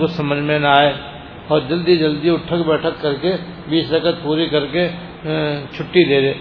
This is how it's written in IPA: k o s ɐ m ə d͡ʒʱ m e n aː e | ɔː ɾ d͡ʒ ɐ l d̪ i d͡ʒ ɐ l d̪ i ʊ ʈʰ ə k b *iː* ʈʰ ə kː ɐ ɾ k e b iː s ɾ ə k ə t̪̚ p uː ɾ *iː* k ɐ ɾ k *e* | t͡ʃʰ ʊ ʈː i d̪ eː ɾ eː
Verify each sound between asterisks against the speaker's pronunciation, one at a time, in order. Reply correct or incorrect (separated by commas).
incorrect, incorrect, correct